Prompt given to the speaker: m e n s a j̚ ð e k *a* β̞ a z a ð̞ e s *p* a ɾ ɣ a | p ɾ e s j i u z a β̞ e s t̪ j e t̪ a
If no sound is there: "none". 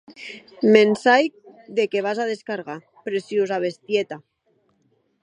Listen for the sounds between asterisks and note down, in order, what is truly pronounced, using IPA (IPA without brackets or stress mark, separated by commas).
e, k